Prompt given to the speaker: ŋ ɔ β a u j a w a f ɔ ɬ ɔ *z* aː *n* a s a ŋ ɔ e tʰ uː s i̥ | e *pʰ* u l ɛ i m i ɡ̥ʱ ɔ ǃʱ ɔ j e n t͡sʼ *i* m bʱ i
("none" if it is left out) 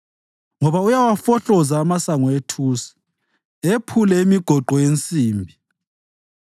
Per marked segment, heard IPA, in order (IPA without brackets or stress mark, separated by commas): z, m, pʰ, iː